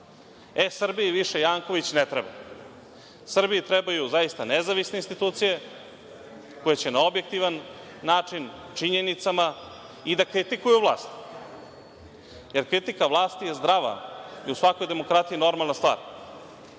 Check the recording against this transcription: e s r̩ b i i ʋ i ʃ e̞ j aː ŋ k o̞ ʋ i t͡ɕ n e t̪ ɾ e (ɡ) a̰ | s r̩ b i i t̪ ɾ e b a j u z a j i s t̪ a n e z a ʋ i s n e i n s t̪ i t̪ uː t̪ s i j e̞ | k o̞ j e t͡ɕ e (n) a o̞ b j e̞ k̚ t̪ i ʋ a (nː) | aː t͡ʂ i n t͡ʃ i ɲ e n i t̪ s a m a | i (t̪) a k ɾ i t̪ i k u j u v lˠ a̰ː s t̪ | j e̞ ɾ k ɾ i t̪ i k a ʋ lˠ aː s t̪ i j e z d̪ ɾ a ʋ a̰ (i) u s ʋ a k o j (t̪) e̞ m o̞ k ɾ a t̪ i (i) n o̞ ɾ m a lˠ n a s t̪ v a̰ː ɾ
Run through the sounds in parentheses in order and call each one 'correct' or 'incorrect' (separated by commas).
incorrect, correct, correct, incorrect, correct, incorrect, correct